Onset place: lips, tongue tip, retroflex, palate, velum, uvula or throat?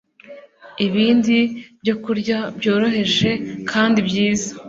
lips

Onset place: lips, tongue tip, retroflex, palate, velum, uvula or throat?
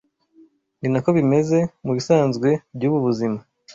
tongue tip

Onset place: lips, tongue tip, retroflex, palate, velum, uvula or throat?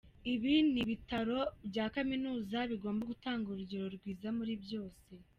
lips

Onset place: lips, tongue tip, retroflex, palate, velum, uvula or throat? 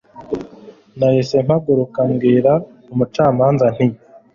tongue tip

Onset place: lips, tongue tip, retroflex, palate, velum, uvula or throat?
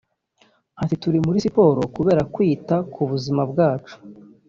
tongue tip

